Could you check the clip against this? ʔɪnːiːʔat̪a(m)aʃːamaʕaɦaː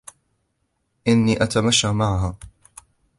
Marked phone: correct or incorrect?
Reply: correct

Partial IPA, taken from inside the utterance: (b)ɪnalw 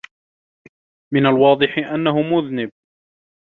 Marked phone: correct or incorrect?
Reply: incorrect: m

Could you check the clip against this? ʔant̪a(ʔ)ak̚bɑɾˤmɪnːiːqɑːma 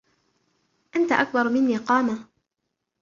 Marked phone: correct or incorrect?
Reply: correct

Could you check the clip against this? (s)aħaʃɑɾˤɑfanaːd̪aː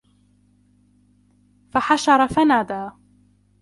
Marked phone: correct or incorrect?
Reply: incorrect: f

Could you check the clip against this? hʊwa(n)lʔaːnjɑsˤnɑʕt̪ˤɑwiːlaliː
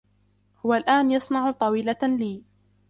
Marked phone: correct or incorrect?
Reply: incorrect: none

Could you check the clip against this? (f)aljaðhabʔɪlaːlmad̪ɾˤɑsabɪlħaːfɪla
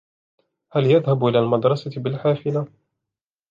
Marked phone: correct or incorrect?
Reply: incorrect: h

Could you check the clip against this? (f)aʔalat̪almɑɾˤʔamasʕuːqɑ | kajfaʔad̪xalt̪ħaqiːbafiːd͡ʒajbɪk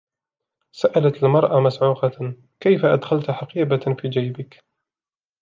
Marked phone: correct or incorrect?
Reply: incorrect: s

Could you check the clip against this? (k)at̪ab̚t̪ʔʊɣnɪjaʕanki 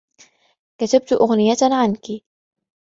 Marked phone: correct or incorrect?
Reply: correct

